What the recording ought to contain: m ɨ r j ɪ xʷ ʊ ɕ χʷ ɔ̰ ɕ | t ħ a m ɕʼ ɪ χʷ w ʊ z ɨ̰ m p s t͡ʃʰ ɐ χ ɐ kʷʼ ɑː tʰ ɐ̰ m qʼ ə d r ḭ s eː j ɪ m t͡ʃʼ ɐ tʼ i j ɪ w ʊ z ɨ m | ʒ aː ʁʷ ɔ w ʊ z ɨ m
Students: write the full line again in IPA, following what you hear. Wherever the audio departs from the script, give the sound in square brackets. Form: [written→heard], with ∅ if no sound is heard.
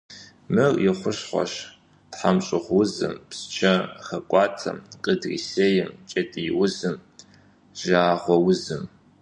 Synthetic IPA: m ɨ r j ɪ [xʷ→χʷ] ʊ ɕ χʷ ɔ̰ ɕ | t ħ a m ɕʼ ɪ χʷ w ʊ z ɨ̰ m p s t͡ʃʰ ɐ χ ɐ kʷʼ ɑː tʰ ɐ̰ m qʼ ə d r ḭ s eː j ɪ m t͡ʃʼ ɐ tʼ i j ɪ w ʊ z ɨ m | ʒ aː ʁʷ ɔ w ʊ z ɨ m